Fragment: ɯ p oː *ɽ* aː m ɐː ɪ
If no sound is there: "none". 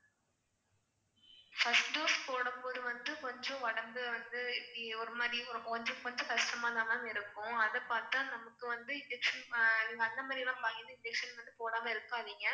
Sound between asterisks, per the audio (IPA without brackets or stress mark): ɽ